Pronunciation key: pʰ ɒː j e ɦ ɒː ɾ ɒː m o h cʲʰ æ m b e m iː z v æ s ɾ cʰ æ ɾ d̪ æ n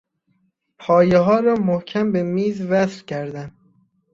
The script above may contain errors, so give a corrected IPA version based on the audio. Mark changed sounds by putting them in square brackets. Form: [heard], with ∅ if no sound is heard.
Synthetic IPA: pʰ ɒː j e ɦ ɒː ɾ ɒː m o h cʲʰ æ m b e m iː z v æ s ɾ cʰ æ ɾ d̪ æ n

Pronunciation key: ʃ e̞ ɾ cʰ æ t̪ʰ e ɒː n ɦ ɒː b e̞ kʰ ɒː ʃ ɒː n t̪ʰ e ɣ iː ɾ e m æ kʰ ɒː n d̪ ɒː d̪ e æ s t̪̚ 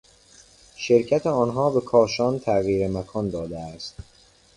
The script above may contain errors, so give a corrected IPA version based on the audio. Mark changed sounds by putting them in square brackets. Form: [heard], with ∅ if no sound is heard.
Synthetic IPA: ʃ e̞ ɾ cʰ æ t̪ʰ e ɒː n ɦ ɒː b e̞ kʰ ɒː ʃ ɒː n t̪ʰ [æ] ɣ iː ɾ e m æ kʰ ɒː n d̪ ɒː d̪ e æ s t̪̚

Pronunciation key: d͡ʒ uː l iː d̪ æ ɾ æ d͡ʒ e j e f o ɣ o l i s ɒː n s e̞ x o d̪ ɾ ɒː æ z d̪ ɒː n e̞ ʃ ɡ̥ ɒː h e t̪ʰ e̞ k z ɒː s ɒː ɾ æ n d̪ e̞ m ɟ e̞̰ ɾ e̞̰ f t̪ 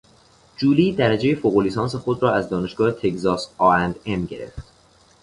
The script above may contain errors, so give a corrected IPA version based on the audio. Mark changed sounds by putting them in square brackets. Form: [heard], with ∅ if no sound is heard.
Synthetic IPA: d͡ʒ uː l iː d̪ æ ɾ æ d͡ʒ e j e f o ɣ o l i s ɒː n s e̞ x o d̪ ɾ ɒː æ z d̪ ɒː n e̞ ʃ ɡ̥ ɒː h e t̪ʰ e̞ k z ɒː s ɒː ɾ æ n d̪ e̞ m ɟ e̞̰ ɾ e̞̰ f t̪

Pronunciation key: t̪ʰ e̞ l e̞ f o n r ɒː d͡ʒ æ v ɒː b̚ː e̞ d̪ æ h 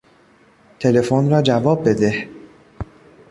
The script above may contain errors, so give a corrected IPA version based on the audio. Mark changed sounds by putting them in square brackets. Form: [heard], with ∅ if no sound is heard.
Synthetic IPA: t̪ʰ e̞ l e̞ f o n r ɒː d͡ʒ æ v ɒː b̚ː e̞ d̪ [e] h

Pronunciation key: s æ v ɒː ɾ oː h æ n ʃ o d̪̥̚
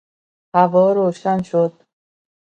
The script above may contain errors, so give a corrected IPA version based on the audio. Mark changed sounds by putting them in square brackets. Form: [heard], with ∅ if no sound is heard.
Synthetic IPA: [h] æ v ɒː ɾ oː [ʃ] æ n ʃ o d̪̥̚

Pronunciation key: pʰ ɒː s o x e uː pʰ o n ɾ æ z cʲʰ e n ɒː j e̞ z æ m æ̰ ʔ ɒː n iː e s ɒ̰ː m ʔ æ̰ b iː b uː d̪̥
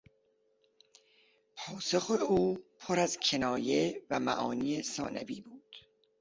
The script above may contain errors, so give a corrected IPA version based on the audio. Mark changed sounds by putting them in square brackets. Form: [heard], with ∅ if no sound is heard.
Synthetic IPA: pʰ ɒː s o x e uː pʰ o [∅] ɾ æ z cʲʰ e n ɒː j e̞ [v] æ m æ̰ ʔ ɒː n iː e s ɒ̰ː [n] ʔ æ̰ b iː b uː d̪̥

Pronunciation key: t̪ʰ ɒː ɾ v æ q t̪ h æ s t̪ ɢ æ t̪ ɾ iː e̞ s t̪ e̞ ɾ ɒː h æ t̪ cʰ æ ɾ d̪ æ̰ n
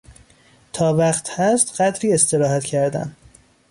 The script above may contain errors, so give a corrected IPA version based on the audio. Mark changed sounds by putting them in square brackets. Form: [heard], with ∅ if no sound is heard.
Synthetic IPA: t̪ʰ ɒː [∅] v æ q t̪ h æ s t̪ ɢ æ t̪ ɾ iː e̞ s t̪ e̞ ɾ ɒː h æ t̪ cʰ æ ɾ d̪ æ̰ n

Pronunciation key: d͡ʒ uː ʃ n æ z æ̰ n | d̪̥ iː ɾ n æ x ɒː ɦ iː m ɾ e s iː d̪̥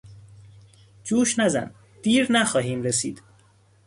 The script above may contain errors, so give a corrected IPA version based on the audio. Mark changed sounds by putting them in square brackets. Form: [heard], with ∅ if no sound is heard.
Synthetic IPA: d͡ʒ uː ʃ n æ z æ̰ n | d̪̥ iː ɾ n æ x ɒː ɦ iː m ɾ e s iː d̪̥

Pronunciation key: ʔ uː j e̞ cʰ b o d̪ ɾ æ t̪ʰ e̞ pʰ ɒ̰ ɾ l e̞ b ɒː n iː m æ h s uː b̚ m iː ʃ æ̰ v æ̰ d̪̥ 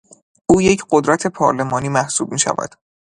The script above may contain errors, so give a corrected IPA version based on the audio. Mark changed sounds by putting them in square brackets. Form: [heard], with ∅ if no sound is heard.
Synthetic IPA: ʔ uː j e̞ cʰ [ɢ] o d̪ ɾ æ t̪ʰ e̞ pʰ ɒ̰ ɾ l e̞ [m] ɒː n iː m æ h s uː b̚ m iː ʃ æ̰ v æ̰ d̪̥

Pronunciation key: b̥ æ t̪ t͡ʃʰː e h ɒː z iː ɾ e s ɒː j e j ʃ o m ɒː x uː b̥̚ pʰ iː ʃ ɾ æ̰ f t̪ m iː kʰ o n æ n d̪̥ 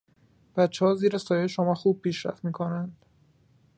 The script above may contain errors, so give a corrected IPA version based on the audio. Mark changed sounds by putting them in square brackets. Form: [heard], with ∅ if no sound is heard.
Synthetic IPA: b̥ æ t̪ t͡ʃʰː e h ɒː z iː ɾ e s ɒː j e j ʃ o m ɒː x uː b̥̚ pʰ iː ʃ ɾ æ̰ f t̪ m iː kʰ o n æ n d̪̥

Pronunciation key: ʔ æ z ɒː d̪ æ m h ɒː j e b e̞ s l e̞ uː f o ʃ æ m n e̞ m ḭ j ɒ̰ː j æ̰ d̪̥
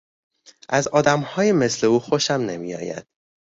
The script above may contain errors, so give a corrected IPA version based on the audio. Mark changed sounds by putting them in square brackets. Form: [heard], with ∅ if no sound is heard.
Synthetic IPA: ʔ æ z ɒː d̪ æ m h ɒː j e [m] e̞ s l e̞ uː [x] o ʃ æ m n e̞ m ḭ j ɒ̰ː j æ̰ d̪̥

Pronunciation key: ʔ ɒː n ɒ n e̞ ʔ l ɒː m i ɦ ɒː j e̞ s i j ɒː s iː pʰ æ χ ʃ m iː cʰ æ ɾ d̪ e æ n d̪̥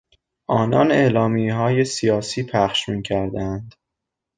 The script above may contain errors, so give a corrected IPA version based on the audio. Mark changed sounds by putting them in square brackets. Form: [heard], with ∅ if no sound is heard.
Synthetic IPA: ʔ ɒː n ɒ n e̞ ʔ l ɒː m i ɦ ɒː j e̞ s i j ɒː s iː pʰ æ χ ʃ m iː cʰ æ ɾ d̪ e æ n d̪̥

